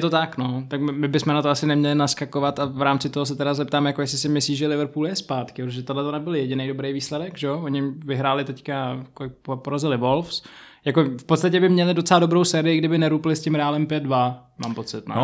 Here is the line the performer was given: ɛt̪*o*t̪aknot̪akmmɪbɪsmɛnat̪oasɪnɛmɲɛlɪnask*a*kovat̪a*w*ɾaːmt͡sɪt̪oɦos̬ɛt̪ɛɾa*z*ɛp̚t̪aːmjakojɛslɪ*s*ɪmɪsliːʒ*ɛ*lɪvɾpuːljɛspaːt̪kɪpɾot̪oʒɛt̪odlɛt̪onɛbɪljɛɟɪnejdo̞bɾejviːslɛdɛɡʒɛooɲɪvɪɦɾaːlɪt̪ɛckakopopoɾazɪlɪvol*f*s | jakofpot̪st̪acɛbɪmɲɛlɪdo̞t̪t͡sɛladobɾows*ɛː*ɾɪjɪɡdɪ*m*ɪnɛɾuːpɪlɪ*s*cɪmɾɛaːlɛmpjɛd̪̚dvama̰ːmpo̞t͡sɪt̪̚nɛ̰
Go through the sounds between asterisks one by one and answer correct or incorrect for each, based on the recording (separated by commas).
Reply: correct, correct, incorrect, correct, correct, correct, correct, correct, incorrect, correct